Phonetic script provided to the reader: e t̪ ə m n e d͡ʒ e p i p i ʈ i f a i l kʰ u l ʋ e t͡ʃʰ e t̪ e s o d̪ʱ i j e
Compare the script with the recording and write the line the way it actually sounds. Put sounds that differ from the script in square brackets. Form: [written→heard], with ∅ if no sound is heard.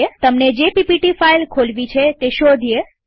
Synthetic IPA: e t̪ ə m n e d͡ʒ e p i p i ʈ i f a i l kʰ [u→o] l ʋ [e→i] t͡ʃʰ e t̪ e [s→ʃ] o d̪ʱ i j e